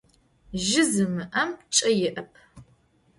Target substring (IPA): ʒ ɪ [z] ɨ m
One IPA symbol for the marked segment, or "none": z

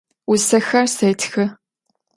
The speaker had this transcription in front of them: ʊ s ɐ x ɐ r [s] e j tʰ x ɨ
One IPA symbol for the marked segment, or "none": s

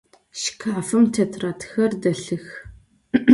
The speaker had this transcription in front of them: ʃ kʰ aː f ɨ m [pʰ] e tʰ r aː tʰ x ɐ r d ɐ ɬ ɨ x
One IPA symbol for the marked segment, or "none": tʰ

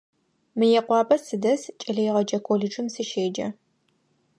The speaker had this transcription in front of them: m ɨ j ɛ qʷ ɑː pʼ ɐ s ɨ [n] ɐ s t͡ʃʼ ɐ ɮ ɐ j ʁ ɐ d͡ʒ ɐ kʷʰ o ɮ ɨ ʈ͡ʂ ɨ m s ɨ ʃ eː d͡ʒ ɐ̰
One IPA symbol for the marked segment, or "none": d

